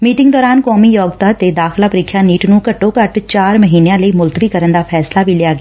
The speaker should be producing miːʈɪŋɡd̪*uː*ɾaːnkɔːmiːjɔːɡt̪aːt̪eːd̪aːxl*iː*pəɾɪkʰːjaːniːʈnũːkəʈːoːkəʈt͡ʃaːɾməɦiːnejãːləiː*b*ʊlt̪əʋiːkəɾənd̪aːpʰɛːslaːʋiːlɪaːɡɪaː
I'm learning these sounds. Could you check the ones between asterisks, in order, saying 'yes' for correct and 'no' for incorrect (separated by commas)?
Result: no, no, no